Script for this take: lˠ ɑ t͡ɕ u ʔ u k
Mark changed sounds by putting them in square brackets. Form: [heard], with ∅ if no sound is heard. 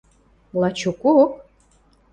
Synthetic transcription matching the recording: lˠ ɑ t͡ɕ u [k] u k